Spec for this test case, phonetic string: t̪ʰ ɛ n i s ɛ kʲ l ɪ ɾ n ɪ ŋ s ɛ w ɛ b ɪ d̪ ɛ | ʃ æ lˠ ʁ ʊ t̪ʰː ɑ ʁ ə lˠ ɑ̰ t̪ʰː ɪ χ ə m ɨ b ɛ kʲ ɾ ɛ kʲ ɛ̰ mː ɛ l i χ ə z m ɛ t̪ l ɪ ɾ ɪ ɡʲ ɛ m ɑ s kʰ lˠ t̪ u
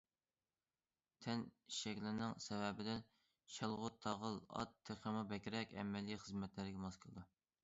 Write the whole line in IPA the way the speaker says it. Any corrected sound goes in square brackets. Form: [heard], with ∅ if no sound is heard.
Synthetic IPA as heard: t̪ʰ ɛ n i [ʃ] ɛ kʲ l ɪ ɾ n ɪ ŋ s ɛ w ɛ b ɪ d̪ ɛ | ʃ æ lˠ ʁ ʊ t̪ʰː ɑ ʁ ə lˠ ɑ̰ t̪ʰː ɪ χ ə m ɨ b ɛ kʲ ɾ ɛ kʲ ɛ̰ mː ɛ l i χ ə z m ɛ t̪ l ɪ ɾ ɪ ɡʲ ɛ m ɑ s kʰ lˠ [d̪] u